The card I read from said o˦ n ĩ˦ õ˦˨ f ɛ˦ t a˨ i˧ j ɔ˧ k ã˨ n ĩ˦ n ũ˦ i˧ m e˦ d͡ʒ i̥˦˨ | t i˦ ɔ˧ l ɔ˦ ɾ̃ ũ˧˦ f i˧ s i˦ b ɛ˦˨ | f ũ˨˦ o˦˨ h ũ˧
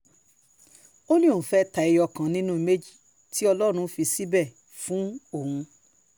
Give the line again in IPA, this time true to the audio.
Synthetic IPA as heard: o˦ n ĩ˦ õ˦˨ f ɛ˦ t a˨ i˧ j ɔ˧ k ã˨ n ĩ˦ n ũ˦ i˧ m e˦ d͡ʒ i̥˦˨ | t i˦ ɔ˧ l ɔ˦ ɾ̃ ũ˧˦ f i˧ s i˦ b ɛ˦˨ | f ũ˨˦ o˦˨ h ũ˧

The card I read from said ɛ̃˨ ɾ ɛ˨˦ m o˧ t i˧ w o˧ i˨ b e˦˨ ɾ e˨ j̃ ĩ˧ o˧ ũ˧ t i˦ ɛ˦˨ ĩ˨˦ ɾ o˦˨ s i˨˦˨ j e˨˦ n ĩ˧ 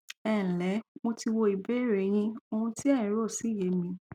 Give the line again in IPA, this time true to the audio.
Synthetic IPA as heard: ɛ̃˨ l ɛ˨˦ m o˧ t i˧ w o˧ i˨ b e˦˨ ɾ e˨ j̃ ĩ˧ o˧ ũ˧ t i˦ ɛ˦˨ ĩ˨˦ ɾ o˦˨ s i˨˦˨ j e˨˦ m ĩ˧

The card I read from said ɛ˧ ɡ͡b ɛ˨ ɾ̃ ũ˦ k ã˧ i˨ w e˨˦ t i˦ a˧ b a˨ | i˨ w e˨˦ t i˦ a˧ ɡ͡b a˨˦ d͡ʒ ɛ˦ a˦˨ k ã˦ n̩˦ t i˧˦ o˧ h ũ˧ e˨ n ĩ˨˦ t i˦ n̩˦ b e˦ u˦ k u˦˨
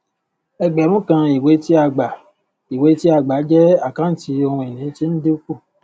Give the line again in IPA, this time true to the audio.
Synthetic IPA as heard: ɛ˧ ɡ͡b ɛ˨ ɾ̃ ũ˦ k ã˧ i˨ w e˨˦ t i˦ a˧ ɡ͡b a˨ | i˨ w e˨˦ t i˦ a˧ ɡ͡b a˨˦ d͡ʒ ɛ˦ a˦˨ k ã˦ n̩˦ t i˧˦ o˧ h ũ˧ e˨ n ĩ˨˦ t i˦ n̩˦ d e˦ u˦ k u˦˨

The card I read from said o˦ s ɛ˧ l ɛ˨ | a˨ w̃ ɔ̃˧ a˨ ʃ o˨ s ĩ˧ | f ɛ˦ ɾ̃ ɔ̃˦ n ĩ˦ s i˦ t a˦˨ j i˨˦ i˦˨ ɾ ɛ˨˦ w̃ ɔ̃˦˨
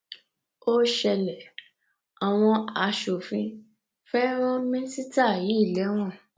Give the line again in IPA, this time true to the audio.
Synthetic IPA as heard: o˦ ʃ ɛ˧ l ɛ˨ | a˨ w̃ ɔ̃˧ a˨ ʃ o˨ f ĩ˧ | f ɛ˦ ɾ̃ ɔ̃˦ m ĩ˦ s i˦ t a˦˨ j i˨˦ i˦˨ l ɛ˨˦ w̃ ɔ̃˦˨

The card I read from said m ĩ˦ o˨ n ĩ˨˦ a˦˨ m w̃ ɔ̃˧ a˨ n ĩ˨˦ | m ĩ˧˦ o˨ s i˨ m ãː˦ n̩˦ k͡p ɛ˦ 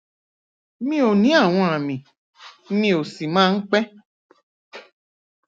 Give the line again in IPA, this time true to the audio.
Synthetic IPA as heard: m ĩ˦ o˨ n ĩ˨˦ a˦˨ w̃ ɔ̃˧ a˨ m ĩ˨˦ | m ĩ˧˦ o˨ s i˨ m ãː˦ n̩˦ k͡p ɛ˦

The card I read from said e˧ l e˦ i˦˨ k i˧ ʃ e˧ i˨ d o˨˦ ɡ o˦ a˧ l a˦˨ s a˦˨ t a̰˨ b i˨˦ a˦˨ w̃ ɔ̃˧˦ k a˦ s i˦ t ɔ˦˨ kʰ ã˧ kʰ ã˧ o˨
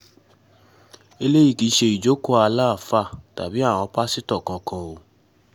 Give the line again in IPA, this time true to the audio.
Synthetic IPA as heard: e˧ l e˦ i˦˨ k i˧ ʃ e˧ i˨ d͡ʒ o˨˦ k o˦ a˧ l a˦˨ f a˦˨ t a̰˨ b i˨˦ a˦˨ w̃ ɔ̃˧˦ p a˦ s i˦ t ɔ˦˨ k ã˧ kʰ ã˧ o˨

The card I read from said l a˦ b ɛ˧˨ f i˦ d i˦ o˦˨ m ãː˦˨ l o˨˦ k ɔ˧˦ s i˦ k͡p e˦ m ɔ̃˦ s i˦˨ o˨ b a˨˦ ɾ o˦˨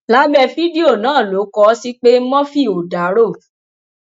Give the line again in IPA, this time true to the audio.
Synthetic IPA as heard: l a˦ b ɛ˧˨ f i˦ d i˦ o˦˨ n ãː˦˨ l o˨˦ k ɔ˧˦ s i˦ k͡p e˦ m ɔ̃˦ f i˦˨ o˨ d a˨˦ ɾ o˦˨

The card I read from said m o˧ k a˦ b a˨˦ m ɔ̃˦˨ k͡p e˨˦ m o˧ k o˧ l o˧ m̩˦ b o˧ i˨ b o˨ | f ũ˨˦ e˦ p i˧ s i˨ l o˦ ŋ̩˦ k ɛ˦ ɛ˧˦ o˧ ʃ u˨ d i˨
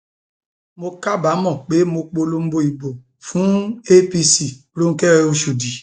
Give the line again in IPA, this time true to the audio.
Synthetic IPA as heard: m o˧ k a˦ b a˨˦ m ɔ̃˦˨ k͡p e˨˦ m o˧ k͡p o˧ l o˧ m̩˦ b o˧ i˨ b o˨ | f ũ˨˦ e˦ p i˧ s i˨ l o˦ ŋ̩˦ k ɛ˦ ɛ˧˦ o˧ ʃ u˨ d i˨

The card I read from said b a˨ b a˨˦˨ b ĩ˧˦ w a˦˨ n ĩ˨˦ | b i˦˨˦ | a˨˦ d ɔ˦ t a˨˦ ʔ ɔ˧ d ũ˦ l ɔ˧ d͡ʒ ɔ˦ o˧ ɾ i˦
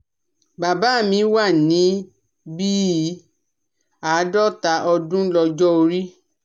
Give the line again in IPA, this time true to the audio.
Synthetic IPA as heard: b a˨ b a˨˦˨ m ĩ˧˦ w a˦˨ n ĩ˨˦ | b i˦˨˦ | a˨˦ d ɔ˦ t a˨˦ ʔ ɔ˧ d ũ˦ l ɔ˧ d͡ʒ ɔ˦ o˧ ɾ i˦

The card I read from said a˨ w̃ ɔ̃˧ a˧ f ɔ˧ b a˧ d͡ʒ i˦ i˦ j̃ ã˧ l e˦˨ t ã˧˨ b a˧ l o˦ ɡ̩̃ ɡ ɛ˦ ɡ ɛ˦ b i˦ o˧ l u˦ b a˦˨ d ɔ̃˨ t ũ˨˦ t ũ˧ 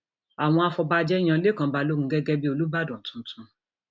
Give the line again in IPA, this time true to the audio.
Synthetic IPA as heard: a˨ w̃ ɔ̃˧ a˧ f ɔ˧ b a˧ d͡ʒ ɛ˦ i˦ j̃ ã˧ l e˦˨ k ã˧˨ b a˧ l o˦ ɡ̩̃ ɡ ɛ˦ ɡ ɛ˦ b i˦ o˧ l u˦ b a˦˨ d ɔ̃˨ t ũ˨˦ t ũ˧

